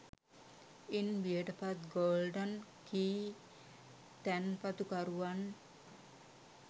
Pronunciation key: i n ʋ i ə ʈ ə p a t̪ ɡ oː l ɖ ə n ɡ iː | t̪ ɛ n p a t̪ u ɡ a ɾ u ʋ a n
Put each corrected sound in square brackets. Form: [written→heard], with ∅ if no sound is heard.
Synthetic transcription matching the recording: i n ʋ i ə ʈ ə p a t̪ ɡ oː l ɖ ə n [ɡ→k] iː | t̪ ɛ n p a t̪ u [ɡ→k] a ɾ u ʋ a n